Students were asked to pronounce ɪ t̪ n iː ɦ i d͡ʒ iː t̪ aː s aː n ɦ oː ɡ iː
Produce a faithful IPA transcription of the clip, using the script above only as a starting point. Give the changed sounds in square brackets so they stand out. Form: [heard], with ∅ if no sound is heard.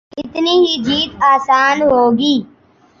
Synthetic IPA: ɪ t̪ n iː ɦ i d͡ʒ iː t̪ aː s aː n ɦ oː ɡ iː